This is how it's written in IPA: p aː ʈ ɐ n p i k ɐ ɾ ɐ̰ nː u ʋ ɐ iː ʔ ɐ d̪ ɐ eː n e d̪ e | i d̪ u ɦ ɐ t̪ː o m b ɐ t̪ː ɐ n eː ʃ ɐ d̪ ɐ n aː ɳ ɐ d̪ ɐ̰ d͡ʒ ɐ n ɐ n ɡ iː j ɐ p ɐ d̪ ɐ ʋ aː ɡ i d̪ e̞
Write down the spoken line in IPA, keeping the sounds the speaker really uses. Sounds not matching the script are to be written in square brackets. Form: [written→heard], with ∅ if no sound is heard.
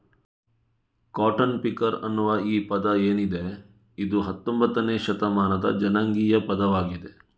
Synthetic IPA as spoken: [p→k] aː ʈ ɐ n p i k ɐ ɾ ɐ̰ nː u ʋ ɐ iː [ʔ→p] ɐ d̪ ɐ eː n [e→i] d̪ e | i d̪ u ɦ ɐ t̪ː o m b ɐ t̪ː ɐ n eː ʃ ɐ [d̪→t̪] ɐ [n→m] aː [ɳ→n] ɐ d̪ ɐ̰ d͡ʒ ɐ n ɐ [n→ŋ] ɡ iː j ɐ p ɐ d̪ ɐ ʋ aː ɡ i d̪ e̞